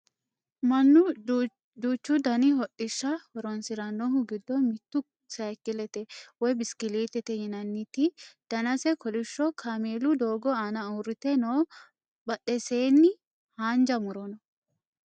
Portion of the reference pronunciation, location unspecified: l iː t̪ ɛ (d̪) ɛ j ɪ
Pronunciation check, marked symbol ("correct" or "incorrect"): incorrect